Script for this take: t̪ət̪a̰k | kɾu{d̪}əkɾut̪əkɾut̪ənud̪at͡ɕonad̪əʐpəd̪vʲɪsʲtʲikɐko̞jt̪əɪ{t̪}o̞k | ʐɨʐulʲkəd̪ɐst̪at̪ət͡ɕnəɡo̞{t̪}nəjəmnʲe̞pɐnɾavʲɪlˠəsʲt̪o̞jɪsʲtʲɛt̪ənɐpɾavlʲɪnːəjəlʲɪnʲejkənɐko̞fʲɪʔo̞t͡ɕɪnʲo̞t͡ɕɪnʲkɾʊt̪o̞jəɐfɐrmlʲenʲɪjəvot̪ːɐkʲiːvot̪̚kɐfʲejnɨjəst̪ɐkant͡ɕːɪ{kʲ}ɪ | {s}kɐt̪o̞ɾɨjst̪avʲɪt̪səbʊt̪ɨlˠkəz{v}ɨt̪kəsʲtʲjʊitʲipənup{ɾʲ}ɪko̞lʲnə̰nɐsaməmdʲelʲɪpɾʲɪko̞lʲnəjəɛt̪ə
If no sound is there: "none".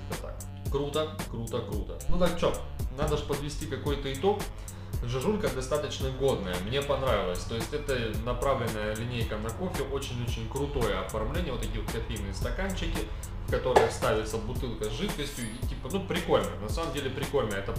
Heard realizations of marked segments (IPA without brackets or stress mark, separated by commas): t̪, t̪, d̪, kʲ, f, ʐ, ɾʲ